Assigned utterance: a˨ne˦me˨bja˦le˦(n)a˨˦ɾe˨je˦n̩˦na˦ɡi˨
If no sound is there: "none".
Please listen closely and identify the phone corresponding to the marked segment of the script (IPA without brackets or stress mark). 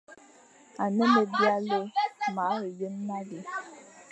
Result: m